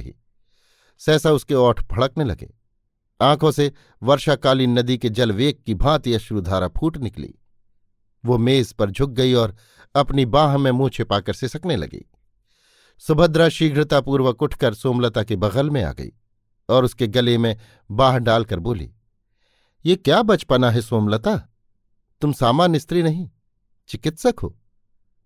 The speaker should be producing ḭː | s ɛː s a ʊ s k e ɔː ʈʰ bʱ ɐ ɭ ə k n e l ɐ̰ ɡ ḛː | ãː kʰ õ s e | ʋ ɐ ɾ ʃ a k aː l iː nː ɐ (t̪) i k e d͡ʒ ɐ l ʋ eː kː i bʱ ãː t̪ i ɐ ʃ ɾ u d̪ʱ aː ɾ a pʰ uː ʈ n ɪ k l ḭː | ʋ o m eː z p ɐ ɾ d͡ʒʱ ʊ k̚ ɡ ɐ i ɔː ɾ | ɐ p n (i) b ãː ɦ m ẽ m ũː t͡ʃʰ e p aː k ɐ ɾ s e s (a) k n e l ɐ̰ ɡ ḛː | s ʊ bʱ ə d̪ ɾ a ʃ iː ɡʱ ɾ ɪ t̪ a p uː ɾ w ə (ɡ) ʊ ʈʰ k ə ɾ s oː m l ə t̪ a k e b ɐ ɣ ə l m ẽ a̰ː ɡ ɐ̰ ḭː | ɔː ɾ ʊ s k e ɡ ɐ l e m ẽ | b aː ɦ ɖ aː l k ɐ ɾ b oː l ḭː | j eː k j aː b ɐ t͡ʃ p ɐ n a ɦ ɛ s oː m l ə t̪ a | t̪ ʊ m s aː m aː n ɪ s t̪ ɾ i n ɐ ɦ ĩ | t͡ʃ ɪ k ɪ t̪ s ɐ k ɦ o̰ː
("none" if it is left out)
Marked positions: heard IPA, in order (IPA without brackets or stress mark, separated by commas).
d̪, i, ɐ, k